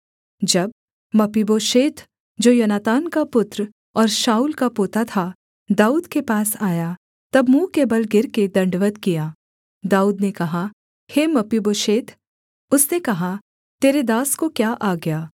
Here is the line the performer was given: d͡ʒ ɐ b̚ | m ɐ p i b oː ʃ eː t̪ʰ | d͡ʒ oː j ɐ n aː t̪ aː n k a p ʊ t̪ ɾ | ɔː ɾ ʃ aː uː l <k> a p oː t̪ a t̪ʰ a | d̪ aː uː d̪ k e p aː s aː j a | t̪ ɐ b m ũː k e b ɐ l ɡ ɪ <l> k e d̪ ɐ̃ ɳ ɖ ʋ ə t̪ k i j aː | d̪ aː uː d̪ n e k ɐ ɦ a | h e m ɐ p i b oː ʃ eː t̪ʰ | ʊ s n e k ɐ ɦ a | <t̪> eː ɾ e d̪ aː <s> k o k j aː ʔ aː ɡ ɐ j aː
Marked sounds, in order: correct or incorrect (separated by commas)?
correct, incorrect, correct, correct